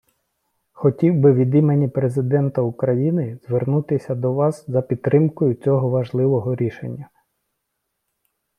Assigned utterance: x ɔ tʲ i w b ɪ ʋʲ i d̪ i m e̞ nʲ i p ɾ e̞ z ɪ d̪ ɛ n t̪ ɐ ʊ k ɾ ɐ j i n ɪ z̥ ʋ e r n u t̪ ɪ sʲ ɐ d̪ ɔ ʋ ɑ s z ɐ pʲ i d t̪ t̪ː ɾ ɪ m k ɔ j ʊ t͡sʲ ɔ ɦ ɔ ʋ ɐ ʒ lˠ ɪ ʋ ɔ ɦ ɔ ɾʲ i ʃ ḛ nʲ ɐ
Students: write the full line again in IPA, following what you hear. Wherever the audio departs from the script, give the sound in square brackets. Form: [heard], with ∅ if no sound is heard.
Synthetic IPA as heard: x ɔ tʲ i w b ɪ ʋʲ i d̪ i m e̞ nʲ i p ɾ e̞ z ɪ d̪ ɛ n t̪ ɐ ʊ k ɾ ɐ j i n ɪ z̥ ʋ e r n u t̪ ɪ sʲ ɐ d̪ ɔ ʋ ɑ s z ɐ pʲ i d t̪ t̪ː ɾ ɪ m k ɔ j ʊ t͡sʲ ɔ ɦ ɔ ʋ ɐ ʒ lˠ ɪ ʋ ɔ ɦ ɔ ɾʲ i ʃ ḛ [nʲː] ɐ